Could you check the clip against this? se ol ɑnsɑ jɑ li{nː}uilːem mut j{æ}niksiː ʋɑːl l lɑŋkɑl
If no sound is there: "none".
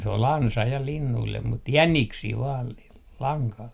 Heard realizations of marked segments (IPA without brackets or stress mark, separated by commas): nː, æ